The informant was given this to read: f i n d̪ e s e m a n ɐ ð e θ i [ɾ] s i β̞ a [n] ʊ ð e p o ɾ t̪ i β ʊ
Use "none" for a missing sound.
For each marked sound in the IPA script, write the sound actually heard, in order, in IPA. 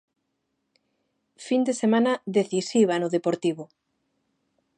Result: none, n

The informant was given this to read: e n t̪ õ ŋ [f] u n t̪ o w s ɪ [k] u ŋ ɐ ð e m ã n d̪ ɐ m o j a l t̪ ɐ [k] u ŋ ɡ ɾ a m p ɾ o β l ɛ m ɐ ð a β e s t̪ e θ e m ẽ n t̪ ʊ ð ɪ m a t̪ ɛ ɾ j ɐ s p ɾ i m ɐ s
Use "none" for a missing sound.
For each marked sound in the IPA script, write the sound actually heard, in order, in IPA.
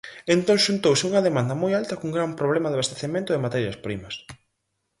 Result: ʃ, none, k

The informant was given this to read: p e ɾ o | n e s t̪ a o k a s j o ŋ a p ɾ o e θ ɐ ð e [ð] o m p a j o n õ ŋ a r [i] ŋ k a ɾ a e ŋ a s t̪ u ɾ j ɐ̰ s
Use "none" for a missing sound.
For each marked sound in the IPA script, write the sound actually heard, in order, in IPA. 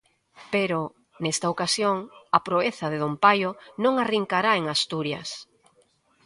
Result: ð, i

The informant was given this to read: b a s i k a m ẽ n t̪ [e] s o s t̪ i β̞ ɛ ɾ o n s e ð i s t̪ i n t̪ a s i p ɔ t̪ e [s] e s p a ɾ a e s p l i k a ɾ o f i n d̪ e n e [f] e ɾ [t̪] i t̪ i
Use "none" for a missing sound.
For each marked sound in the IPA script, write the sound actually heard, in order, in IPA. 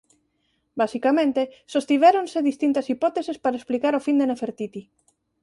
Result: e, s, f, t̪

